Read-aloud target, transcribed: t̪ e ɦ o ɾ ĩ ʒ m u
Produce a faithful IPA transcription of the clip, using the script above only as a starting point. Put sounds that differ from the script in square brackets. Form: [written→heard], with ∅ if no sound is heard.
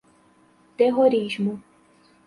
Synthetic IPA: t̪ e ɦ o ɾ [ĩ→i] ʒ m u